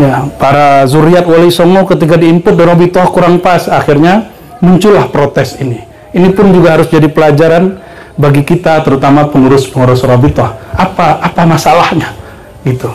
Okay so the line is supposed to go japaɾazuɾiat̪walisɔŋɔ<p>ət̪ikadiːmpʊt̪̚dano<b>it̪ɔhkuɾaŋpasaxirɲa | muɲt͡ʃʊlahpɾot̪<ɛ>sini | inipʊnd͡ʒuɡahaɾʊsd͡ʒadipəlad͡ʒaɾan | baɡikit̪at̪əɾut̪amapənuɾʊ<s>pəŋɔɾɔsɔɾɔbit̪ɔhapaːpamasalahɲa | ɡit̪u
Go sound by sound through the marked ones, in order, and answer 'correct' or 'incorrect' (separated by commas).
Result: incorrect, correct, correct, correct